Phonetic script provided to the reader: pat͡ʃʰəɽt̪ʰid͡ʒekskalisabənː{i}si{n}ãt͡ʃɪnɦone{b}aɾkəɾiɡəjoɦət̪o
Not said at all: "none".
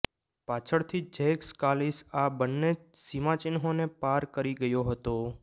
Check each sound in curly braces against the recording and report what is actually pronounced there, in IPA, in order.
e, m, p

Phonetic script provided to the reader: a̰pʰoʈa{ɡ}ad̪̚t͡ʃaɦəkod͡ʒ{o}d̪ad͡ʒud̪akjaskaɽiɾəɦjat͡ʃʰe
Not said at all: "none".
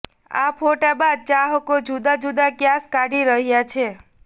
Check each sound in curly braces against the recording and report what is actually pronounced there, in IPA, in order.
b, u

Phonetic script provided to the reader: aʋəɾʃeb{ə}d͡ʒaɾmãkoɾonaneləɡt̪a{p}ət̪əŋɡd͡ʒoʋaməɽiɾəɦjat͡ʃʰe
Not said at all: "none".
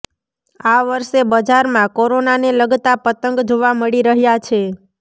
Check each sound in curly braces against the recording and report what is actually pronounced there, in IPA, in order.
ə, p

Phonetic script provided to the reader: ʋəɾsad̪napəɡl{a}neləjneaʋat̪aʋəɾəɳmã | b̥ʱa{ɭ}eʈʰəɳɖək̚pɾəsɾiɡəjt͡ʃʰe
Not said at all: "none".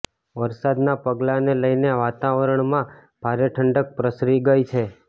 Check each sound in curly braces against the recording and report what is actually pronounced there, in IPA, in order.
a, ɾ

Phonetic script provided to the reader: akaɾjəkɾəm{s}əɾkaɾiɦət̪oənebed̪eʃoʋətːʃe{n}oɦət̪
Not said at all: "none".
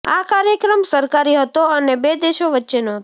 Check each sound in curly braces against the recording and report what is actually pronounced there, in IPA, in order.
s, n

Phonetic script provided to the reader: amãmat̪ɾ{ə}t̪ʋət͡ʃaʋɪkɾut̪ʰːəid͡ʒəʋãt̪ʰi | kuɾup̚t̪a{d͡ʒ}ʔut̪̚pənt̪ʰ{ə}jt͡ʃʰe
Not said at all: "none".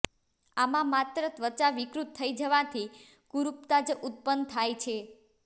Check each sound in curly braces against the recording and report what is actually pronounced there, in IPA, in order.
ə, d͡ʒ, a

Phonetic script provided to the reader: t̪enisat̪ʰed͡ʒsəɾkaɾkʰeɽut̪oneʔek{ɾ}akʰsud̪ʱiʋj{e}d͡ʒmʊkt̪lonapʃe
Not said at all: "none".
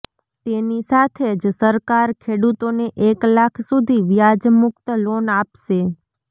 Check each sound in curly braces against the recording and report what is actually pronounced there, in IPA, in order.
l, a

